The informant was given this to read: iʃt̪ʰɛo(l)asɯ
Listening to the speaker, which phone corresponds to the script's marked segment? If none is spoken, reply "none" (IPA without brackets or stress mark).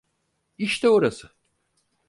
ɾ